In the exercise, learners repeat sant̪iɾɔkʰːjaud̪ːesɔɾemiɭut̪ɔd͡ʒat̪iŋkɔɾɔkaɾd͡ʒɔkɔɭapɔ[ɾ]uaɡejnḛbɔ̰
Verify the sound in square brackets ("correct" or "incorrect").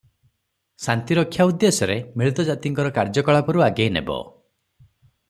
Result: correct